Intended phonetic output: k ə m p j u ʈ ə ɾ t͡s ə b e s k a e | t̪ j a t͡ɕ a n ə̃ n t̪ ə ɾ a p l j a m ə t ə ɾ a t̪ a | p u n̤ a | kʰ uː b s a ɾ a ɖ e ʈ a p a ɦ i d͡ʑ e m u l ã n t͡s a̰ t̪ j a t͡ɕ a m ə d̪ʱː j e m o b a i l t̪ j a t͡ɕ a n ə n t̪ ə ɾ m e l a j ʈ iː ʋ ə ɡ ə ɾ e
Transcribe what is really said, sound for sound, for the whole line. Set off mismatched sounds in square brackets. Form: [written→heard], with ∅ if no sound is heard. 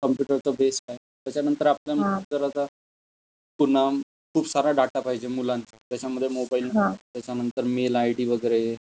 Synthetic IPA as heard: k ə m p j u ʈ ə ɾ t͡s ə b e s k a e | t̪ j a t͡ɕ a n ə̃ n t̪ ə ɾ a p l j a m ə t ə ɾ a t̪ a | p u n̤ a | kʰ uː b s a ɾ a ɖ [e→a] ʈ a p a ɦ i d͡ʑ e m u l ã n t͡s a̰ t̪ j a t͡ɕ a m ə d̪ʱː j e m o b a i l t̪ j a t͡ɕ a n ə n t̪ ə ɾ m e l a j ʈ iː ʋ ə ɡ ə ɾ e